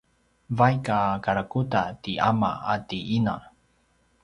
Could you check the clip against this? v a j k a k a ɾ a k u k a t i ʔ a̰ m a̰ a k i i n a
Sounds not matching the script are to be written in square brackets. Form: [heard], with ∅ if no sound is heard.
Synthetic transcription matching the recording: v a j k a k a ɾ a k u [t] a t i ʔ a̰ m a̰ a [t] i i n a